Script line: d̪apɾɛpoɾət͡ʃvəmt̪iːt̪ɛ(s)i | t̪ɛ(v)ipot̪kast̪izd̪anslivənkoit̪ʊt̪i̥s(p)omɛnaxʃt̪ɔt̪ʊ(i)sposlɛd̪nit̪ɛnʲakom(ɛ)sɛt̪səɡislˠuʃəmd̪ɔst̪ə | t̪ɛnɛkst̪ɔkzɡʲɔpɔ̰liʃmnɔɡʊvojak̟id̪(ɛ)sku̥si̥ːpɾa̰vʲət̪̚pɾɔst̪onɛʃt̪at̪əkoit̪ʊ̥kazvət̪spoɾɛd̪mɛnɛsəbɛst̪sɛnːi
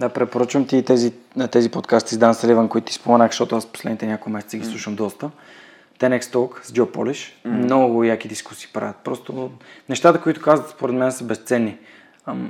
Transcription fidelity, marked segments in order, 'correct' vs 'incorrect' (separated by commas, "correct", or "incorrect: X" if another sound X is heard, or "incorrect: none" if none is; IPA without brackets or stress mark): incorrect: z, incorrect: z, correct, incorrect: a, correct, incorrect: i